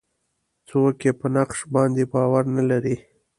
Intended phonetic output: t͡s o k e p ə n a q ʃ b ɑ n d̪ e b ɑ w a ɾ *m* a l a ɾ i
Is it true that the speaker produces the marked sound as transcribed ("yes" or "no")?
no